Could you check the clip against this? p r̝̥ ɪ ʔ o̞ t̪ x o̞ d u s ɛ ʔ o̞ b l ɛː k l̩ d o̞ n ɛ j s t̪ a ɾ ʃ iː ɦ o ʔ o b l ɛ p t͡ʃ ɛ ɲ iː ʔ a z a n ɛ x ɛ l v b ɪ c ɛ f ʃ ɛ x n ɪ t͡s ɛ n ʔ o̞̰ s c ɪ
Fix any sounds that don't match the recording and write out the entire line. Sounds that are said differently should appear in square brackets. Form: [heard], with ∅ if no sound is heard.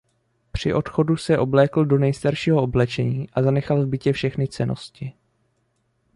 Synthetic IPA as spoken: p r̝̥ ɪ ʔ o̞ t̪ x o̞ d u s ɛ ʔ o̞ b l ɛː k l̩ d o̞ n ɛ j s t̪ a ɾ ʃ iː ɦ o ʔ o b l ɛ [∅] t͡ʃ ɛ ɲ iː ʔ a z a n ɛ x [a] l v b ɪ c ɛ f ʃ ɛ x n ɪ t͡s ɛ n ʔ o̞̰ s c ɪ